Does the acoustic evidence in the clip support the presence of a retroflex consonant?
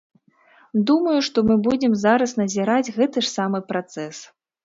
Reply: yes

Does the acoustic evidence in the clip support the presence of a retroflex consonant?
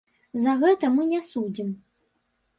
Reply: no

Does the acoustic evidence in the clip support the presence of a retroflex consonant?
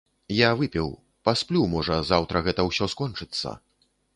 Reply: yes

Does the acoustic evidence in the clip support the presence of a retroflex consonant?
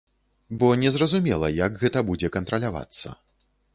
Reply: no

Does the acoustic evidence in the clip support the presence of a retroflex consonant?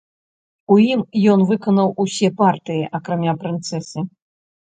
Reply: no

